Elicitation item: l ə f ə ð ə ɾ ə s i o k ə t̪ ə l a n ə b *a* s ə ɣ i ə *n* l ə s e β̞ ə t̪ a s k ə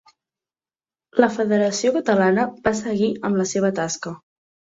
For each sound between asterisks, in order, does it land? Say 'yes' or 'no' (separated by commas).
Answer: yes, no